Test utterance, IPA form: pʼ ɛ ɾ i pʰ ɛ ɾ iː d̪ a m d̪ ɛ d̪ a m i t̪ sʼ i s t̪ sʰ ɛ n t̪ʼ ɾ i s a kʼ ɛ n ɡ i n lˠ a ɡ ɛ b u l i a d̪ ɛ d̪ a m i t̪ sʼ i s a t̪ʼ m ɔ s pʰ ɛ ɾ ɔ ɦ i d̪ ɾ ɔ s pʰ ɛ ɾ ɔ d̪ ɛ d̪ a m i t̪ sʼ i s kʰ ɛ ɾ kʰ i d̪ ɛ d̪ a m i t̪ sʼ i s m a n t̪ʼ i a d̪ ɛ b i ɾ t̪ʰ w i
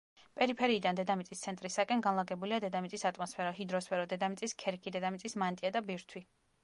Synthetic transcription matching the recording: pʼ ɛ ɾ i pʰ ɛ ɾ iː d̪ a n d̪ ɛ d̪ a m i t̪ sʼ i s t̪ sʰ ɛ n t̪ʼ ɾ i s a kʼ ɛ n ɡ a n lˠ a ɡ ɛ b u l i a d̪ ɛ d̪ a m i t̪ sʼ i s a t̪ʼ m ɔ s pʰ ɛ ɾ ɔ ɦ i d̪ ɾ ɔ s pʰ ɛ ɾ ɔ d̪ ɛ d̪ a m i t̪ sʼ i s kʰ ɛ ɾ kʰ i d̪ ɛ d̪ a m i t̪ sʼ i s m a n t̪ʼ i a d̪ a b i ɾ t̪ʰ w i